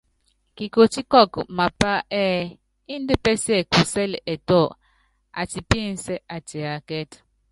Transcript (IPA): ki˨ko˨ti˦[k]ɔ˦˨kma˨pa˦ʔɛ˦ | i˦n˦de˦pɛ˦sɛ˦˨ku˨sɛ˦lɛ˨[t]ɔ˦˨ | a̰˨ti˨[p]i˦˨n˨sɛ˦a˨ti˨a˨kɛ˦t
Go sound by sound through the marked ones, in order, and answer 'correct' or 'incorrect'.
correct, correct, correct

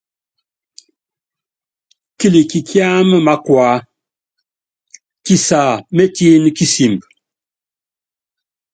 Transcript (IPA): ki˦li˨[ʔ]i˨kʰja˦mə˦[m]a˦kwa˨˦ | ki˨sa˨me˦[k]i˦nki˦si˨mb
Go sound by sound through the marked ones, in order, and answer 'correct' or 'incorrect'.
incorrect: k, correct, incorrect: t

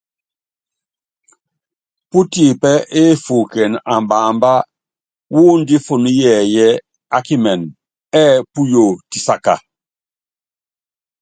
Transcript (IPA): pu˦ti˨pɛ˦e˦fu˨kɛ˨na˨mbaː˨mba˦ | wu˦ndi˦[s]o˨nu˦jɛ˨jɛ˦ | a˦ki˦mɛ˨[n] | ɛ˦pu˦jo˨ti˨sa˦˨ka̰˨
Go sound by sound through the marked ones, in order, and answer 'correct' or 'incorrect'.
incorrect: f, correct

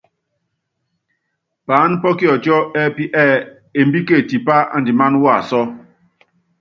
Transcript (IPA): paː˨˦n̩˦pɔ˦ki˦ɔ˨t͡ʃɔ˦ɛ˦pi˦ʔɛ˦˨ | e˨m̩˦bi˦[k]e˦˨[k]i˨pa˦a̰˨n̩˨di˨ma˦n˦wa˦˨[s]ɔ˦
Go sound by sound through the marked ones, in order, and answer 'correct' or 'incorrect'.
correct, incorrect: t, correct

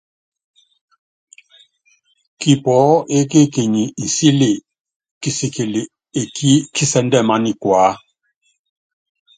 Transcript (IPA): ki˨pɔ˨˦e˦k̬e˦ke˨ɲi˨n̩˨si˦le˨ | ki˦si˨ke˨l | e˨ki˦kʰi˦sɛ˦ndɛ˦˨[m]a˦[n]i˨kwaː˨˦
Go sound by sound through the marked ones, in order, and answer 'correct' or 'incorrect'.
correct, correct

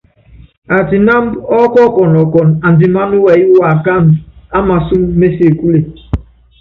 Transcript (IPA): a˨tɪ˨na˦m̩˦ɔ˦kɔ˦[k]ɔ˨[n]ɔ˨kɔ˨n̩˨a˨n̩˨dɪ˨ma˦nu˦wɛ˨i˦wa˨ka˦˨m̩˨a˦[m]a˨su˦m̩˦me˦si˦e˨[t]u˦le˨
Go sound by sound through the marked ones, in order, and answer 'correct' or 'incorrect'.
correct, correct, correct, incorrect: k

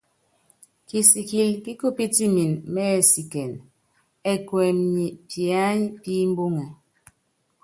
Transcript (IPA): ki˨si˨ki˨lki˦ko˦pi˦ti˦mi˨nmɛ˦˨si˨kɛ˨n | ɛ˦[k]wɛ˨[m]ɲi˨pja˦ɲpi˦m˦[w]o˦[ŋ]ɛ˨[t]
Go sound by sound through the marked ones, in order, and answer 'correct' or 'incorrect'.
correct, correct, incorrect: b, correct, incorrect: none

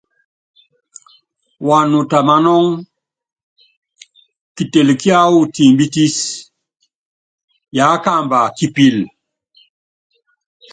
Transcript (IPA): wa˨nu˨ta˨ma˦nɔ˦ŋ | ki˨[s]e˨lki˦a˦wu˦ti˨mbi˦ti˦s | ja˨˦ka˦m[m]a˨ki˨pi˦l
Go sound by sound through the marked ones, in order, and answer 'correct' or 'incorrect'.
incorrect: t, incorrect: b

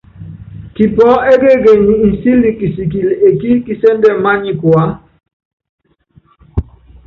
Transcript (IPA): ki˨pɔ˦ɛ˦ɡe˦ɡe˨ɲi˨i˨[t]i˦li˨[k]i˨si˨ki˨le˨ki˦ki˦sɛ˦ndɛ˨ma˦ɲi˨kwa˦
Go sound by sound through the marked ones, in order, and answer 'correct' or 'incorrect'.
incorrect: s, correct

